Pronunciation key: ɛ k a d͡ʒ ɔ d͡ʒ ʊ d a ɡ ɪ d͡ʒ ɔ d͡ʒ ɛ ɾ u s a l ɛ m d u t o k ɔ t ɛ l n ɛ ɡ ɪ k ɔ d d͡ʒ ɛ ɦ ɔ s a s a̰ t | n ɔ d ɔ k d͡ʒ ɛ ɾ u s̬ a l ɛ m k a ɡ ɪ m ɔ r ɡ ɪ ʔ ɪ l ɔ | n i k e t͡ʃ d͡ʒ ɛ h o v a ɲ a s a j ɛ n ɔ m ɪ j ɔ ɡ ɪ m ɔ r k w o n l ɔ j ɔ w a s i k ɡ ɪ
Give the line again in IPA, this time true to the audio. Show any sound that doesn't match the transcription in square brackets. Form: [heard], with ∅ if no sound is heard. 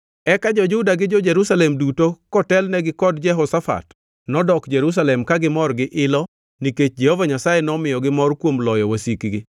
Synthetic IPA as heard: ɛ k a d͡ʒ ɔ d͡ʒ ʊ d a ɡ ɪ d͡ʒ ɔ d͡ʒ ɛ ɾ u s a l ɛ m d u t o k ɔ t ɛ l n ɛ ɡ ɪ k ɔ d d͡ʒ ɛ ɦ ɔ s a [f] a̰ t | n ɔ d ɔ k d͡ʒ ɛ ɾ u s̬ a l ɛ m k a ɡ ɪ m ɔ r ɡ ɪ ʔ ɪ l ɔ | n i k e t͡ʃ d͡ʒ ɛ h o v a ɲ a s a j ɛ n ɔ m ɪ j ɔ ɡ ɪ m ɔ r k w o [m] l ɔ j ɔ w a s i k ɡ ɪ